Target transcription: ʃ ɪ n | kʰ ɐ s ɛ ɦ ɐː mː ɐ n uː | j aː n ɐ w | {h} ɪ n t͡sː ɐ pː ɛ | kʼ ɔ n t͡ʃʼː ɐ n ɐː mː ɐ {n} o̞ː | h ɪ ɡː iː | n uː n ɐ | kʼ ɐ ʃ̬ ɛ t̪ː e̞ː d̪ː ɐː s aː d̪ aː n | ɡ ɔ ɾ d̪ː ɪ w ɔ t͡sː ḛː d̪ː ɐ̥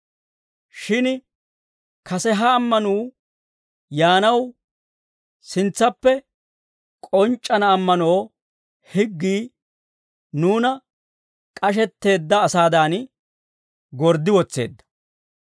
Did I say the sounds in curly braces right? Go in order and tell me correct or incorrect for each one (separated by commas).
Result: incorrect, correct